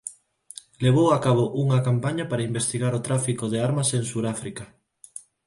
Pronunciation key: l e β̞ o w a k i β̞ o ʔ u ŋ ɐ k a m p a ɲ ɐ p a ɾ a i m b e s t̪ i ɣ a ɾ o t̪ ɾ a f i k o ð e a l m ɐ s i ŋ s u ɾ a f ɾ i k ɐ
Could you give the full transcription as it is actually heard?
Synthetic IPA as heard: l e β̞ o w a k a β̞ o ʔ u ŋ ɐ k a m p a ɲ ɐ p a ɾ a i m b e s t̪ i ɣ a ɾ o t̪ ɾ a f i k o ð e a ɾ m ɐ s e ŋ s u ɾ a f ɾ i k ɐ

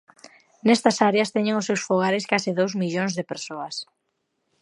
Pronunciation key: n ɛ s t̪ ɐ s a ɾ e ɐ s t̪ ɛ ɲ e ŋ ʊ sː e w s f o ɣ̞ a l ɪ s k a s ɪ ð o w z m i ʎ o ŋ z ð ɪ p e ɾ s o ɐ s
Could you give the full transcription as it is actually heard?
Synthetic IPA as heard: n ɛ s t̪ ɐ s a ɾ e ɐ s t̪ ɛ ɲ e ŋ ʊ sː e w s f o ɣ̞ a ɾ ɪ s k a s ɪ ð o w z m i ʎ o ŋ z ð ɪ p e ɾ s o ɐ s

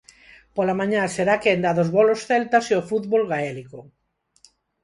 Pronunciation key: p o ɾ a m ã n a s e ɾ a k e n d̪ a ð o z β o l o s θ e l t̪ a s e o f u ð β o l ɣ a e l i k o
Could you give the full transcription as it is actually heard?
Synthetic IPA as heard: p o l a m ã ɲ a s e ɾ a k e n d̪ a ð o z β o l o s θ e l t̪ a s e o f u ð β o l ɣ a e l i k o

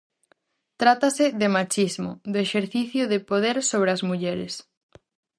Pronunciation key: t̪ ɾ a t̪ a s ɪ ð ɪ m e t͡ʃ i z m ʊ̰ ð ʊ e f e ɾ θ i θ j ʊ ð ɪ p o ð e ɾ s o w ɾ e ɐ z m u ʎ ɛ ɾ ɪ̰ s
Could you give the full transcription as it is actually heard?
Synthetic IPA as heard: t̪ ɾ a t̪ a s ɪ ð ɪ m a t͡ʃ i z m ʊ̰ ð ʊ e ʃ e ɾ θ i θ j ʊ ð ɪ p o ð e ɾ s o β ɾ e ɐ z m u ʎ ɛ ɾ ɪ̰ s

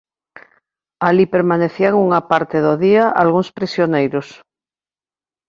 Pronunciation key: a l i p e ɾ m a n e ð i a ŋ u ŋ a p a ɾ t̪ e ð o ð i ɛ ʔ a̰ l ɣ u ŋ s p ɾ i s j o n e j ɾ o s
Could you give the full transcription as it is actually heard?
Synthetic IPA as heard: a l i p e ɾ m a n e θ i a ŋ u ŋ a p a ɾ t̪ e ð o ð i a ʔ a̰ l ɣ u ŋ s p ɾ i s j o n e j ɾ o s

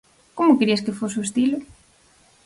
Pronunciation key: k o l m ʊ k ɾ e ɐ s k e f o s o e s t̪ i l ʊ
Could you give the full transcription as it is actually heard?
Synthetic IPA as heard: k o m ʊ k ɾ i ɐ s k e f o s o e s t̪ i l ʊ

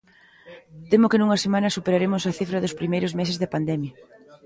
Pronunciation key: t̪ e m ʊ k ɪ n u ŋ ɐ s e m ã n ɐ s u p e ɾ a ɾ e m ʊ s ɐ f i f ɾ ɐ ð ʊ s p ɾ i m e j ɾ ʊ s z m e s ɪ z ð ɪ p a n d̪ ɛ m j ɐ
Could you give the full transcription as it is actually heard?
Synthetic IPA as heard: t̪ e m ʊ k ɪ n u ŋ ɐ s e m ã n ɐ s u p e ɾ a ɾ e m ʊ s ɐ θ i f ɾ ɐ ð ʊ s p ɾ i m e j ɾ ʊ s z m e s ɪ z ð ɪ p a n d̪ ɛ m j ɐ

